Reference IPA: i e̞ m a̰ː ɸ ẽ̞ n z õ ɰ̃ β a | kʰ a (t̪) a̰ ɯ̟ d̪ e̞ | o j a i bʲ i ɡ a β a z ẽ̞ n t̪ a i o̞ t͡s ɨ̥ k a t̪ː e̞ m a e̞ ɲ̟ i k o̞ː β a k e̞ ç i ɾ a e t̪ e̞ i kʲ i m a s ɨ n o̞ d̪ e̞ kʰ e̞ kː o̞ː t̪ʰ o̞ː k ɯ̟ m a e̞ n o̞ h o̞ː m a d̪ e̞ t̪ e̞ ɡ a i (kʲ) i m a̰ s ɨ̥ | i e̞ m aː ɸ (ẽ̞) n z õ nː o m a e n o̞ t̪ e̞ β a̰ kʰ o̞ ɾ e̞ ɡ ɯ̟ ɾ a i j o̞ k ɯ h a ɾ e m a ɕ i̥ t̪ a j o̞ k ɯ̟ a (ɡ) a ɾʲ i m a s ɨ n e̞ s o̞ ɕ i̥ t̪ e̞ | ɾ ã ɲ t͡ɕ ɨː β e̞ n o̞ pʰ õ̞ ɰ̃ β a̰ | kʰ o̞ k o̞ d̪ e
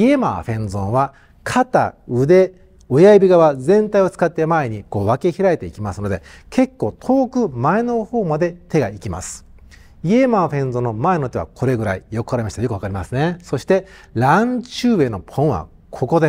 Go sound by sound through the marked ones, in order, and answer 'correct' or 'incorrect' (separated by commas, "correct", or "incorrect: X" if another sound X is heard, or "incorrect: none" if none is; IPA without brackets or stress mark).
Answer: correct, correct, correct, incorrect: k